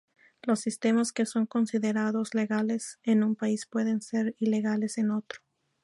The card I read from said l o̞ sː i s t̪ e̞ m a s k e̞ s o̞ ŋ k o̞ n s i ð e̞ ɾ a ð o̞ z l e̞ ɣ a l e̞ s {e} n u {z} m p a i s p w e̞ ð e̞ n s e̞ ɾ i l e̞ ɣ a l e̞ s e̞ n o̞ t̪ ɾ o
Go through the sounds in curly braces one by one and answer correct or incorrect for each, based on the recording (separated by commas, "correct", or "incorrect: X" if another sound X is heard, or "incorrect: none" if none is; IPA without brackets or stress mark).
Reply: correct, incorrect: none